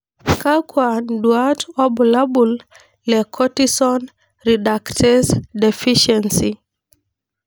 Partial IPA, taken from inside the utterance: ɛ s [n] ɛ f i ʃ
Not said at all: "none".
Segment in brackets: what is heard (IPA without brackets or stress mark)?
d